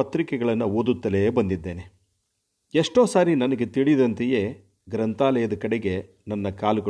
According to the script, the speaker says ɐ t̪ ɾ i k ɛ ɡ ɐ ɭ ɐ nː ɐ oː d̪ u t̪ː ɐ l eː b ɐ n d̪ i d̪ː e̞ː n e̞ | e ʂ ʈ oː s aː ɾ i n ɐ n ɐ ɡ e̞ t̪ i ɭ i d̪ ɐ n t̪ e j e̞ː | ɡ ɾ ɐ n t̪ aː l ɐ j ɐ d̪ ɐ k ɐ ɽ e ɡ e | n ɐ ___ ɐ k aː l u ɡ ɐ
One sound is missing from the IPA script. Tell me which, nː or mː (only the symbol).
nː